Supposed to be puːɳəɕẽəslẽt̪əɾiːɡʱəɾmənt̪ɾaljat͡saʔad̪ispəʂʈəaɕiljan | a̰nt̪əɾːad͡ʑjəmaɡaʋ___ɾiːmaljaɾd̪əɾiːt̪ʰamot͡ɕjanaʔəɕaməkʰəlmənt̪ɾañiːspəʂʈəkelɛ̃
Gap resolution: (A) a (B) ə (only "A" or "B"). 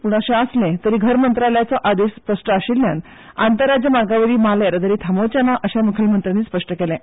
B